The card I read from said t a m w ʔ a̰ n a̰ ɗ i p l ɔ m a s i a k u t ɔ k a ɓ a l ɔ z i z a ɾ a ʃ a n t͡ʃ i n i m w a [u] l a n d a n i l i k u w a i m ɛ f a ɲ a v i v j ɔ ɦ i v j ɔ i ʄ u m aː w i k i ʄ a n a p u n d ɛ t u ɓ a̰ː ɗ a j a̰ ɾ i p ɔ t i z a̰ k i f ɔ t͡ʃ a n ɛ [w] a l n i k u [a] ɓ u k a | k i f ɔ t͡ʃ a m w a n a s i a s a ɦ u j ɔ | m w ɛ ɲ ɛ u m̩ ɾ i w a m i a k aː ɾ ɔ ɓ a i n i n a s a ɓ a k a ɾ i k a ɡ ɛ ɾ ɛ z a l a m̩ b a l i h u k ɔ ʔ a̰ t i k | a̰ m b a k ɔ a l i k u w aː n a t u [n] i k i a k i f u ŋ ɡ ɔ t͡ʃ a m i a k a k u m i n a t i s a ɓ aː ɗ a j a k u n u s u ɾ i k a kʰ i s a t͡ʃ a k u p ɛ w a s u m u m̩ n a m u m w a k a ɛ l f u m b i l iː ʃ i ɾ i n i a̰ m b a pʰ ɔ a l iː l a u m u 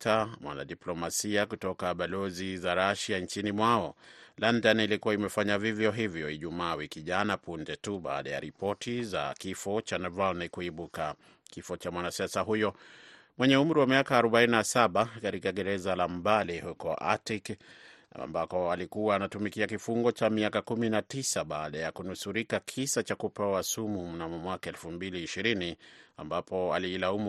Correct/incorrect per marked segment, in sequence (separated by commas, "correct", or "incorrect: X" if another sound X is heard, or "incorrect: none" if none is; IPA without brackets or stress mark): incorrect: ɔ, incorrect: v, incorrect: i, incorrect: m